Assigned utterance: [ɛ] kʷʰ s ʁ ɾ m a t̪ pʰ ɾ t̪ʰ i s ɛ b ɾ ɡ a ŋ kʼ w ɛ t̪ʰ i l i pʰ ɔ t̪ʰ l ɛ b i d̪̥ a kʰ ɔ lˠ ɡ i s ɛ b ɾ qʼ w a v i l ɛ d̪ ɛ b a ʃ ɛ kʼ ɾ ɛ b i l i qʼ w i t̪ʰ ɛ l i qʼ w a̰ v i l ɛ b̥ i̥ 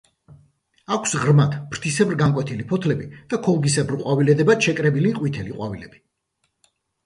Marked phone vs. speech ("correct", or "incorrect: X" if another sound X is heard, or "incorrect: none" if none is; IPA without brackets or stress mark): incorrect: a